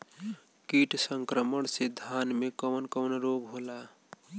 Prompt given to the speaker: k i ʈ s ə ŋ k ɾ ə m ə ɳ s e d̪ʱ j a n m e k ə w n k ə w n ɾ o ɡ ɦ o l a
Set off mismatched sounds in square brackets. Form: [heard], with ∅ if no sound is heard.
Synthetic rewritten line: k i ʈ s ə ŋ k ɾ ə m ə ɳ s e d̪ʱ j a n m e k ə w n k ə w n ɾ o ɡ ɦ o l a